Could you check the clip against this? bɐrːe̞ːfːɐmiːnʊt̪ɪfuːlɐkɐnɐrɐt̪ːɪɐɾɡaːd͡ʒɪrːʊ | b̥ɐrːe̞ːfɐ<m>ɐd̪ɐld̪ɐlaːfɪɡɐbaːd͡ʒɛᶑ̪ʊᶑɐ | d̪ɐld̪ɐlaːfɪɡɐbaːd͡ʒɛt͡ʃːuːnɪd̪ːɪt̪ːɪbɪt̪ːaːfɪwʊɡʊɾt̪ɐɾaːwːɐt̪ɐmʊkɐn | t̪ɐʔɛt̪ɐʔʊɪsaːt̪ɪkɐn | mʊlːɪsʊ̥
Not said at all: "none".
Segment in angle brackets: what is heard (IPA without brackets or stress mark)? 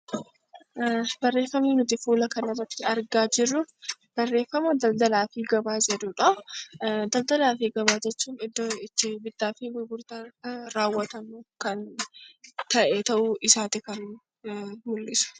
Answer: m